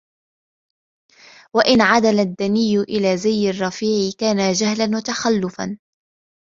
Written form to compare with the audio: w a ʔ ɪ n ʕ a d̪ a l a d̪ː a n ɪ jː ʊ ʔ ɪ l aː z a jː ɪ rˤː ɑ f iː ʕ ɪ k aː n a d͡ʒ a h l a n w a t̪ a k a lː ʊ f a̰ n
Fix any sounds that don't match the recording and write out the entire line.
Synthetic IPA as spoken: w a ʔ ɪ n ʕ a d̪ a l a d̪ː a n ɪ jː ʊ ʔ ɪ l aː z a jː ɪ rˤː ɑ f iː ʕ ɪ k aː n a d͡ʒ a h l a n w a t̪ a x a lː ʊ f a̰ n